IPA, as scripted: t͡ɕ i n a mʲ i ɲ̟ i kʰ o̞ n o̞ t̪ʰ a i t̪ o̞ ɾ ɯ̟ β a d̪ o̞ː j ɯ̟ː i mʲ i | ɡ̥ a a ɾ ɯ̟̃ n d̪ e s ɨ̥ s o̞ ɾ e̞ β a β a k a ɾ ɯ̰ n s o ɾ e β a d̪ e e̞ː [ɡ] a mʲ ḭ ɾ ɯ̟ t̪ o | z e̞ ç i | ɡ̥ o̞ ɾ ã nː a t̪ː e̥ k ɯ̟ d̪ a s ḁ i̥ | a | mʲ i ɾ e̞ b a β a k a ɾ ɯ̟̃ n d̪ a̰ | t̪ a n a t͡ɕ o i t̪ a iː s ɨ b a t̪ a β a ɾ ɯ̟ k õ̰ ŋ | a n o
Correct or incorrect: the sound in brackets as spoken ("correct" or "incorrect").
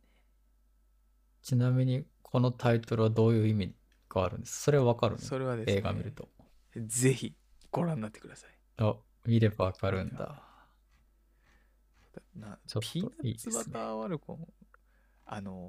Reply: correct